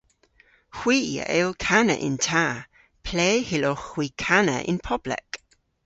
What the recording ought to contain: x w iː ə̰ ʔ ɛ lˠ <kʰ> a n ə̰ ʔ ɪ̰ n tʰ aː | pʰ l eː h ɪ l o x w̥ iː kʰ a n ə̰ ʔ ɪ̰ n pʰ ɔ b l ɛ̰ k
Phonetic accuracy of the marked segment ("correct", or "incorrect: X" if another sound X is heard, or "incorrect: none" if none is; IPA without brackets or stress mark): correct